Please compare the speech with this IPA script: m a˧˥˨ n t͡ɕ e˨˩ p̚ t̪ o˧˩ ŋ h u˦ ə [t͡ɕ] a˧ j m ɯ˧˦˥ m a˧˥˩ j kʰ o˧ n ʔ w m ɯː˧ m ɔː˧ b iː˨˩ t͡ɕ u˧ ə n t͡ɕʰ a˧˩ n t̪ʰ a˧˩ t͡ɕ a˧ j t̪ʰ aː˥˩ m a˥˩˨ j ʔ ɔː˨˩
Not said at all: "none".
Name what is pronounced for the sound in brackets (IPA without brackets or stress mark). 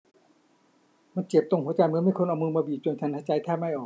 t͡ɕ